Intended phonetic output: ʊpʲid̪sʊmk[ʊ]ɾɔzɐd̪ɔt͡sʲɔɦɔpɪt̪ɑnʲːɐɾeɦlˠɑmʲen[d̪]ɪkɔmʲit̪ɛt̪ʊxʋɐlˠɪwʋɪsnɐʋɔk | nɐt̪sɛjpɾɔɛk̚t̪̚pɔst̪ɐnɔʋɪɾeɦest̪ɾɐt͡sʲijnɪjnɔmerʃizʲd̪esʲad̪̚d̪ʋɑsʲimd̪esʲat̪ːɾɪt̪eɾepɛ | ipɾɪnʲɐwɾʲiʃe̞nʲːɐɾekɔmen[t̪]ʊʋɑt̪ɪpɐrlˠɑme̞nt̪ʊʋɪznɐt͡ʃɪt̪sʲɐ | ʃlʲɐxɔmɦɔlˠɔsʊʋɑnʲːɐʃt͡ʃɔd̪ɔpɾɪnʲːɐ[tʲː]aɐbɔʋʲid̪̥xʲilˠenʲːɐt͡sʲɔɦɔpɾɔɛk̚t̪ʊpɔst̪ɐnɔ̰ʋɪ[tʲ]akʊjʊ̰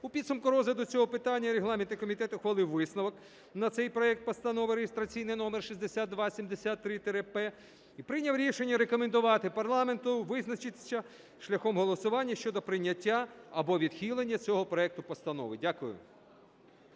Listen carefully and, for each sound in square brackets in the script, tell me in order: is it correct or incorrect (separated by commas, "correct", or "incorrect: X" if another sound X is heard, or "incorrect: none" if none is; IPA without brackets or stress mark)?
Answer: correct, incorrect: t̪, incorrect: d̪, correct, incorrect: dʲ